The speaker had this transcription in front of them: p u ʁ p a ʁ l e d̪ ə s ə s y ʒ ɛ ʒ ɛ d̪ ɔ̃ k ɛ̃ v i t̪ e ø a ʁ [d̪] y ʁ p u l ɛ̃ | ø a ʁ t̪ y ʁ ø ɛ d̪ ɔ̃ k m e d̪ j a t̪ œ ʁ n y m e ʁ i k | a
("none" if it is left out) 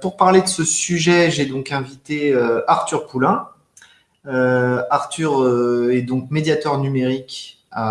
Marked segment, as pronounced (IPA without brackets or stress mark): t̪